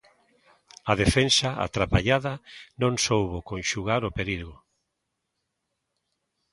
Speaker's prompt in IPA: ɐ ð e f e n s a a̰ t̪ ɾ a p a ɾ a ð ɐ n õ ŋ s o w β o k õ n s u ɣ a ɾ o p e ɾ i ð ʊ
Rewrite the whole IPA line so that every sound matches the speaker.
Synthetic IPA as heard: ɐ ð e f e n s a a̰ t̪ ɾ a p a ʎ a ð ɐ n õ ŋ s o w β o k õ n ʃ u ɣ a ɾ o p e ɾ i ɣ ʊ